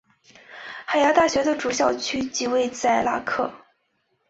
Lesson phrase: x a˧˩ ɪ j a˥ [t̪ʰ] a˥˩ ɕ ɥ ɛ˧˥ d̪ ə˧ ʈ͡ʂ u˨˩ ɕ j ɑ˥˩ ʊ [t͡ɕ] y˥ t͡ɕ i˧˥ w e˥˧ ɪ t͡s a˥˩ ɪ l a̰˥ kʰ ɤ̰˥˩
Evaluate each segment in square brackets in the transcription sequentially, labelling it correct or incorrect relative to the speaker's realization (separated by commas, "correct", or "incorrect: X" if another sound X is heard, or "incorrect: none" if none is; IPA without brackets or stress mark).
incorrect: t̪, incorrect: t͡ɕʰ